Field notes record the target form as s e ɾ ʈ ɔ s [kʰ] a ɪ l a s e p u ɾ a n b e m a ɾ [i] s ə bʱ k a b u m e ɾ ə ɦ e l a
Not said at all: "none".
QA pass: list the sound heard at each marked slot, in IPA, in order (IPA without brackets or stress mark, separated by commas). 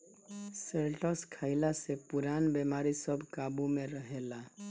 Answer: kʰ, i